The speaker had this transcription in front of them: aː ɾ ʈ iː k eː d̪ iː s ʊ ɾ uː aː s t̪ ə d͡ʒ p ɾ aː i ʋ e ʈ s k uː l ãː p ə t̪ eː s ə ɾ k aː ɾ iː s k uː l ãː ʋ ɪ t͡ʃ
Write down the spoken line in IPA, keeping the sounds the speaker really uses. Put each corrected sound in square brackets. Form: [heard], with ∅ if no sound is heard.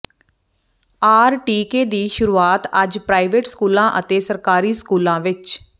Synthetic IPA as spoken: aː ɾ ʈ iː k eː d̪ iː [ʃ] ʊ ɾ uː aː [∅] t̪ ə d͡ʒ p ɾ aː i ʋ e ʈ s k uː l ãː [ʔ] ə t̪ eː s ə ɾ k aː ɾ iː s k uː l ãː ʋ ɪ t͡ʃ